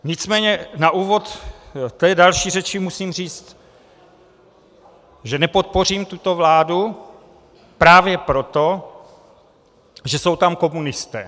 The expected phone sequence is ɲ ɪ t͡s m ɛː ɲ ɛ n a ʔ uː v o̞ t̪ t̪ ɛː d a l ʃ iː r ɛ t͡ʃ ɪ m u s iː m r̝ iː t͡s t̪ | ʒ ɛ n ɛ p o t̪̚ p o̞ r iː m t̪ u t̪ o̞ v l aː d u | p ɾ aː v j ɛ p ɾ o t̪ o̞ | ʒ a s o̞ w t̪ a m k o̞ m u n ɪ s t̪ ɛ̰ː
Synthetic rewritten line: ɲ ɪ t͡s m ɛː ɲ ɛ n a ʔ uː v o̞ t̪ t̪ ɛː d a l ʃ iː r ɛ t͡ʃ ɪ m u s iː m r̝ iː t͡s t̪ | ʒ ɛ n ɛ p o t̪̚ p o̞ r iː m t̪ u t̪ o̞ v l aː d u | p ɾ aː v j ɛ p ɾ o t̪ o̞ | ʒ ɛ s o̞ w t̪ a m k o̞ m u n ɪ s t̪ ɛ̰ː

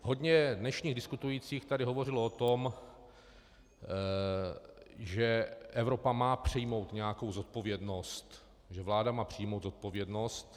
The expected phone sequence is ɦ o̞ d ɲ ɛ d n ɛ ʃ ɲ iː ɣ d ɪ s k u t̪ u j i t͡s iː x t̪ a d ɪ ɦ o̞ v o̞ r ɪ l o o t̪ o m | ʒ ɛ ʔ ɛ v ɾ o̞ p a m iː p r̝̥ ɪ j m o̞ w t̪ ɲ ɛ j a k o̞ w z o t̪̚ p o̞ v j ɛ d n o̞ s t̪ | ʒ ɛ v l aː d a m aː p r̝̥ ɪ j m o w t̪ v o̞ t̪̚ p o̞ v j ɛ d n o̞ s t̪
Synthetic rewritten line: ɦ o̞ d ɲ ɛ d n ɛ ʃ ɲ iː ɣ d ɪ s k u t̪ u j i t͡s iː x t̪ a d ɪ ɦ o̞ v o̞ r ɪ l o o t̪ o m | ʒ ɛ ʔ ɛ v ɾ o̞ p a m aː p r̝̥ ɪ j m o̞ w t̪ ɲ ɛ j a k o̞ w z o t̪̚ p o̞ v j ɛ d n o̞ s t̪ | ʒ ɛ v l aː d a m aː p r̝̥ ɪ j m o w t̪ z o̞ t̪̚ p o̞ v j ɛ d n o̞ s t̪

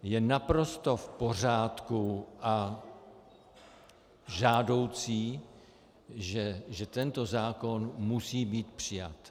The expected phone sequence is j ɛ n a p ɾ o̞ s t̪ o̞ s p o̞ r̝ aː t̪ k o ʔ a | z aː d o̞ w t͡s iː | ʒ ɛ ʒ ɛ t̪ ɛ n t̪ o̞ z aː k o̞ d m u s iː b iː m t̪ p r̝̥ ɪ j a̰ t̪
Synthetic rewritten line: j ɛ n a p ɾ o̞ s t̪ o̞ f p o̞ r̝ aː t̪ k u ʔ a | ʒ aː d o̞ w t͡s iː | ʒ ɛ ʒ ɛ t̪ ɛ n t̪ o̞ z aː k o̞ n m u s iː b iː t̪ p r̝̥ ɪ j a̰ t̪

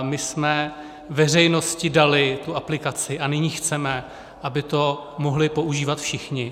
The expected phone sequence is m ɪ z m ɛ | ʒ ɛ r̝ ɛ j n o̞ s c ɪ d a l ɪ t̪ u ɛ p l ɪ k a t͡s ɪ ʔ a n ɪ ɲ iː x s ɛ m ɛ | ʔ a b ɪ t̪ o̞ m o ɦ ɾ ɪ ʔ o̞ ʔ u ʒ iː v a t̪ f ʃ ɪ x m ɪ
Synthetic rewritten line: m ɪ s m ɛ | v ɛ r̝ ɛ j n o̞ s c ɪ d a l ɪ t̪ u a p l ɪ k a t͡s ɪ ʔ a n ɪ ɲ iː x t͡s ɛ m ɛ | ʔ a b ɪ t̪ o̞ m o ɦ l ɪ p o̞ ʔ u ʒ iː v a t̪ f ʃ ɪ x ɲ ɪ

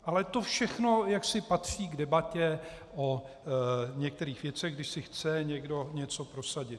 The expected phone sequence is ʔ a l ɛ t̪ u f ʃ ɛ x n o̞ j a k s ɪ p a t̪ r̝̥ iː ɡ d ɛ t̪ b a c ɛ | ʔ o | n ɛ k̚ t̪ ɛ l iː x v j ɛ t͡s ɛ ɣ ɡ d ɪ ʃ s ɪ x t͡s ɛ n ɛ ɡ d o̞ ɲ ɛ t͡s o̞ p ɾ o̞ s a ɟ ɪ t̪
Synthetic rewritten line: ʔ a l ɛ t̪ o f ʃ ɛ x n o̞ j a k s ɪ p a t̪ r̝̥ iː ɡ d ɛ b a c ɛ | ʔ o | ɲ ɛ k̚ t̪ ɛ ɾ iː x v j ɛ t͡s ɛ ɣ ɡ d ɪ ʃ s ɪ x t͡s ɛ ɲ ɛ ɡ d o̞ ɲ ɛ t͡s o̞ p ɾ o̞ s a ɟ ɪ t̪

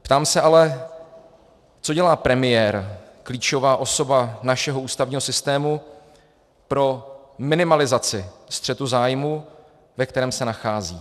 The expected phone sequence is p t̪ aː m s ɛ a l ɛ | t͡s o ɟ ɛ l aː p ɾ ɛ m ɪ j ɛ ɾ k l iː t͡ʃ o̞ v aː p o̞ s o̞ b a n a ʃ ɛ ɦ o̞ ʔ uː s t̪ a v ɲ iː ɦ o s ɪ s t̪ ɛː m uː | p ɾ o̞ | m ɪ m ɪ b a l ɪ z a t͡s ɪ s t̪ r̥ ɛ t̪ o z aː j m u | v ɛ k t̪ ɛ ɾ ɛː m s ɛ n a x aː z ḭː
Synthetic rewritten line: p t̪ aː m s ɛ a l ɛ | t͡s o ɟ ɛ l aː p ɾ ɛ m ɪ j ɛ ɾ k l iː t͡ʃ o̞ v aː ʔ o̞ s o̞ b a n a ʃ ɛ ɦ o̞ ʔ uː s t̪ a v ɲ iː ɦ o s ɪ s t̪ ɛː m u | p ɾ o̞ | m ɪ n ɪ m a l ɪ z a t͡s ɪ s t̪ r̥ ɛ t̪ u z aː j m u | v ɛ k t̪ ɛ ɾ ɛː m s ɛ n a x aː z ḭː

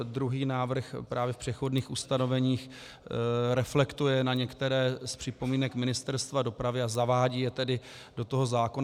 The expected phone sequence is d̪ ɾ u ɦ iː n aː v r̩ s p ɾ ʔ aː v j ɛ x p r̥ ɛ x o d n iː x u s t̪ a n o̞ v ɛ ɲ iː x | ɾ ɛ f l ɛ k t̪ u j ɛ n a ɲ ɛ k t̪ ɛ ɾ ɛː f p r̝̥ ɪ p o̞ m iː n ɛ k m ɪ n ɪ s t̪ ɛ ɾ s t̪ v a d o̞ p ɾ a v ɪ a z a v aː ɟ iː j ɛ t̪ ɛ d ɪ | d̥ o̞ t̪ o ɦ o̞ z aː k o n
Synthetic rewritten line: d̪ ɾ u ɦ iː n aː v r̩ x p ɾ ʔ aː v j ɛ f p r̥ ɛ x o d n iː x u s t̪ a n o̞ v ɛ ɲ iː x | ɾ ɛ f l ɛ k t̪ u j ɛ n a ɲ ɛ k t̪ ɛ ɾ ɛː s p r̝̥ ɪ p o̞ m iː n ɛ k m ɪ n ɪ s t̪ ɛ ɾ s t̪ v a d o̞ p ɾ a v ɪ a z a v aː ɟ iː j ɛ t̪ ɛ d ɪ | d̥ o̞ t̪ o ɦ o̞ z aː k o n

